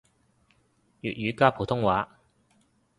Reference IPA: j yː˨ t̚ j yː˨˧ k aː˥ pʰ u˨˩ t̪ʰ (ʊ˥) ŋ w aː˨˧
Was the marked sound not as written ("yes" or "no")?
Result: no